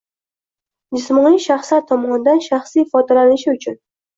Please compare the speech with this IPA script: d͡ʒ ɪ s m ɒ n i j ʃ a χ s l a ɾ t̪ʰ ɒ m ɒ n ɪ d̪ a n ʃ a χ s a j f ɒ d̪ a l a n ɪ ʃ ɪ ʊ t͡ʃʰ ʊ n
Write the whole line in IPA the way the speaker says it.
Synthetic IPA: d͡ʒ ɪ s m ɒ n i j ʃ a χ s l a ɾ t̪ʰ ɒ m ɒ n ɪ d̪ a n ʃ a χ s i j f ɒ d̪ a l a n ɪ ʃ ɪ ʊ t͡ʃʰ ʊ n